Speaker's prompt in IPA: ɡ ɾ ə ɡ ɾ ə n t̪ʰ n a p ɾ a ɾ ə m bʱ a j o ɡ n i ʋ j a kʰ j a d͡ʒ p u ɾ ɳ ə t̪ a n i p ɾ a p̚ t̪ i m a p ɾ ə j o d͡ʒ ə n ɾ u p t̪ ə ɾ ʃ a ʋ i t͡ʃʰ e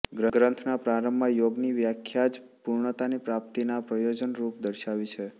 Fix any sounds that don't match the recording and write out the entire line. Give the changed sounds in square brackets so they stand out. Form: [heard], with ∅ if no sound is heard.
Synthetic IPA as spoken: ɡ ɾ ə ɡ ɾ ə n t̪ʰ n a p ɾ a ɾ ə m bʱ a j o ɡ n i ʋ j a kʰ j a d͡ʒ p u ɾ ɳ ə t̪ a n i p ɾ a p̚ t̪ i [n] a p ɾ ə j o d͡ʒ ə n ɾ u p [d̪] ə ɾ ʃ a ʋ i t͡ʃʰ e